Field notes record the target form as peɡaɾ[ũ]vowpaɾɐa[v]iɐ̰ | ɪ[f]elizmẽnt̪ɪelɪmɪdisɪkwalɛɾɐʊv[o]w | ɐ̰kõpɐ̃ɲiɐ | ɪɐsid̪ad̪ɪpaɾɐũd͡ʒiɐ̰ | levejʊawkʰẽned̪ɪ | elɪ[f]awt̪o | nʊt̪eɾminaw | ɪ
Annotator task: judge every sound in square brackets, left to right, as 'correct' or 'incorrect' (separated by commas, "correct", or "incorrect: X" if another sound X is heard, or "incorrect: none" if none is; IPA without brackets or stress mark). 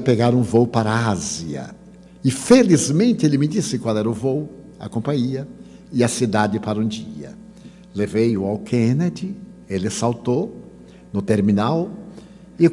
correct, incorrect: z, correct, correct, incorrect: s